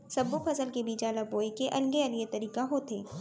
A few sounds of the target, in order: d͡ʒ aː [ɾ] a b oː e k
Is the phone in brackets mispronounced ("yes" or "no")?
yes